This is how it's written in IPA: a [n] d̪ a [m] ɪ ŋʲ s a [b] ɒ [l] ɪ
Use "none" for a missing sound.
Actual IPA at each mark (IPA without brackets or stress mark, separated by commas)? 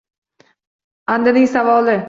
n, n, v, l